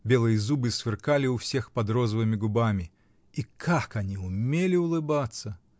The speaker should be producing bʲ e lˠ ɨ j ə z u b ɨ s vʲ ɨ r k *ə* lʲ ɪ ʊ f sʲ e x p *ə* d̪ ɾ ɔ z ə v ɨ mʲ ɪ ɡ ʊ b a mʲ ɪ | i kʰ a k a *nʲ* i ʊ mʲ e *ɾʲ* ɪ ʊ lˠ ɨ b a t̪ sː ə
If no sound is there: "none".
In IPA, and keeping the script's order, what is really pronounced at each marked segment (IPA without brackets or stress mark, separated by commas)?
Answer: a, ɐ, nʲ, lʲ